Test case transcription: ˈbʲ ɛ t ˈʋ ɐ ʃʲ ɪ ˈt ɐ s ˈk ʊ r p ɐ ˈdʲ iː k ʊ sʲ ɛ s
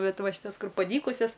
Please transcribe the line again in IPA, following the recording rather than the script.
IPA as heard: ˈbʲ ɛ t ˈʋ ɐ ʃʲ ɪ ˈt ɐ s ˈk ʊ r p ɐ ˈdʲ iː k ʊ sʲ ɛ s